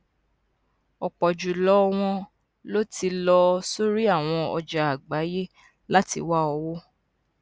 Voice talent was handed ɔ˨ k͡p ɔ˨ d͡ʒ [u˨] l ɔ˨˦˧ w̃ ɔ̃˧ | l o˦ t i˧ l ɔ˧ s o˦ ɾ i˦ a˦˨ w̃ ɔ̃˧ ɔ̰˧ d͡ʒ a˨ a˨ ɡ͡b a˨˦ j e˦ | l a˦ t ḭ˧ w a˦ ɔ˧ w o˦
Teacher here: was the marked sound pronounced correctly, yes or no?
yes